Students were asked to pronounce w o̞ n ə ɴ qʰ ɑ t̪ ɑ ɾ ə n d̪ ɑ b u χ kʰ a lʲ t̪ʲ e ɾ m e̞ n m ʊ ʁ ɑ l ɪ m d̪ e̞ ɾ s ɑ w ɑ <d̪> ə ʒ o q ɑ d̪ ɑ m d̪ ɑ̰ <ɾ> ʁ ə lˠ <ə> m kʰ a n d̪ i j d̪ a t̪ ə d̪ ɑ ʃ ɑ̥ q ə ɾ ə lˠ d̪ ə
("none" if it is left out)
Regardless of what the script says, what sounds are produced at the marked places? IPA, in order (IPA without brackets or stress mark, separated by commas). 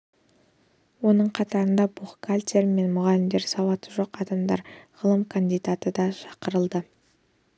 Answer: t̪, ɾ, ə